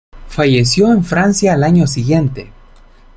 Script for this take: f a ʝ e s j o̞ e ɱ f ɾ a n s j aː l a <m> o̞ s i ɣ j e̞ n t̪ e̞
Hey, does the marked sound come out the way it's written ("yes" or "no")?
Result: no